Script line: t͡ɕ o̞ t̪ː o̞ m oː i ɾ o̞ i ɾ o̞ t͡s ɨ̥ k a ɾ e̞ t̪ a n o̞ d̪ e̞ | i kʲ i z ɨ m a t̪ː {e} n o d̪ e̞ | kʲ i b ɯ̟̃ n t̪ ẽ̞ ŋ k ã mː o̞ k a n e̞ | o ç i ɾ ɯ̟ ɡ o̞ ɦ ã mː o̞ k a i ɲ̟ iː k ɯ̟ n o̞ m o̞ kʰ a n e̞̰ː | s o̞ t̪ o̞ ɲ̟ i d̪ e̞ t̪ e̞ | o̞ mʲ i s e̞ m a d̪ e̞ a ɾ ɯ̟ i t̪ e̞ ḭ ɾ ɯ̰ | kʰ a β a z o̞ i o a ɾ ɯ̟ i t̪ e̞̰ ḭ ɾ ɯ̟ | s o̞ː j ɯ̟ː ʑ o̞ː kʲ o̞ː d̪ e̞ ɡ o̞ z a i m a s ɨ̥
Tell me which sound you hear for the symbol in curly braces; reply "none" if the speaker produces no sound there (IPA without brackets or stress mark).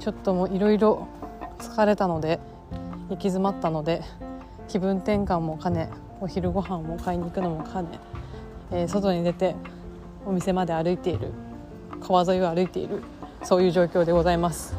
a